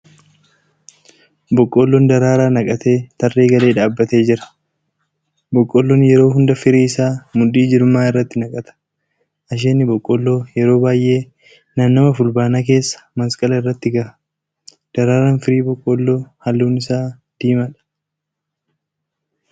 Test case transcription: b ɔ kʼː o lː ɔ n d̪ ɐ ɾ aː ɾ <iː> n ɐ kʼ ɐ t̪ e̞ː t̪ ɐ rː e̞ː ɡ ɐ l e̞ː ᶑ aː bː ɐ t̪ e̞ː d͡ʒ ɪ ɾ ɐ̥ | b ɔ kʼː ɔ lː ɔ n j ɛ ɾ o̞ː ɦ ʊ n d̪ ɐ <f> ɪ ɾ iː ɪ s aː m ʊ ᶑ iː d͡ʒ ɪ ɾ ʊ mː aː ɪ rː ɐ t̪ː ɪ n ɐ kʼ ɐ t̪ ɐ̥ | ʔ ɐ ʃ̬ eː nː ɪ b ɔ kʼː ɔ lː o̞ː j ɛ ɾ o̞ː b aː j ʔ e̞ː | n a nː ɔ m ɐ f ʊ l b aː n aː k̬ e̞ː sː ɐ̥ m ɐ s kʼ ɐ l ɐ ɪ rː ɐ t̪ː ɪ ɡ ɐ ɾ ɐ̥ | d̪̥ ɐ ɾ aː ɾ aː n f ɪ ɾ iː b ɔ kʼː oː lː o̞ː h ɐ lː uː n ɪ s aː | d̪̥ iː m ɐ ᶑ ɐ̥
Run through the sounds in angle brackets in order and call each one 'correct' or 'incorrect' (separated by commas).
incorrect, correct